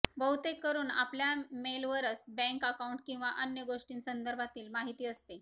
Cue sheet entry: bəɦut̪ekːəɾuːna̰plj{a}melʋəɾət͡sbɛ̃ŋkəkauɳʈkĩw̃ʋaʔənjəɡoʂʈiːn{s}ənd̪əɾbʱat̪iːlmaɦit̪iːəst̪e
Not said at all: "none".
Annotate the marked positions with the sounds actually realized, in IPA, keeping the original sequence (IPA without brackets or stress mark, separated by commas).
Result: a, s